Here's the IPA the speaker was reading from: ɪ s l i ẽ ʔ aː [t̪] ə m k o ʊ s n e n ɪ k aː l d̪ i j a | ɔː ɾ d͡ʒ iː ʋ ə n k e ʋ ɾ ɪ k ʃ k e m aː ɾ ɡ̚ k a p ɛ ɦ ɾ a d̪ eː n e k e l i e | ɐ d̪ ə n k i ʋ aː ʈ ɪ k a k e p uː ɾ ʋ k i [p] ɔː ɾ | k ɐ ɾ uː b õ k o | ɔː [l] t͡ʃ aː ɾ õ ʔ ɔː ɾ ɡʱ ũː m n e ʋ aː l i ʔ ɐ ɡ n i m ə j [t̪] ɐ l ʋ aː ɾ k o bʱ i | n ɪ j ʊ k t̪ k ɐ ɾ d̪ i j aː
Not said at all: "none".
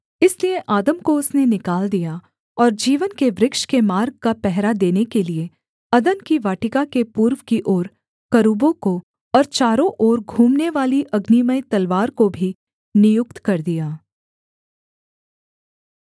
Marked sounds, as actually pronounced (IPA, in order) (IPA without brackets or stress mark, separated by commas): d̪, ʔ, ɾ, t̪